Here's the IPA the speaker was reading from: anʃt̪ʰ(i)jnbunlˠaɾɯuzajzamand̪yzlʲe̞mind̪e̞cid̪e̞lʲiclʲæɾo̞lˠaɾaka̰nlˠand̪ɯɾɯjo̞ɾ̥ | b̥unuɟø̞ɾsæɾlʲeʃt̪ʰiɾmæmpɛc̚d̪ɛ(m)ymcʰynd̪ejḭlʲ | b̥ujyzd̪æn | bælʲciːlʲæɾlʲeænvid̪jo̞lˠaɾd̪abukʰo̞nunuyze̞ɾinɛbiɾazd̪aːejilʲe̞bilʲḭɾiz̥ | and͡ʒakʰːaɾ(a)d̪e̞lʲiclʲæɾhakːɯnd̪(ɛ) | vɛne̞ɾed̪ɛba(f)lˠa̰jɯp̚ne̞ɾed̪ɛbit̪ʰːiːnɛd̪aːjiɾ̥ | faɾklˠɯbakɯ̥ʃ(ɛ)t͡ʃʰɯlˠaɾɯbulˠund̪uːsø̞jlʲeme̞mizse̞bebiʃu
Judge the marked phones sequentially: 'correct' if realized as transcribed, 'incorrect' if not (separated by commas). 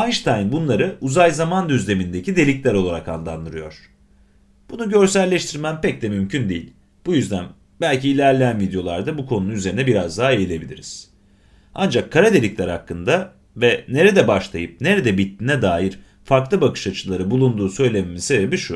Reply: incorrect, correct, correct, incorrect, incorrect, incorrect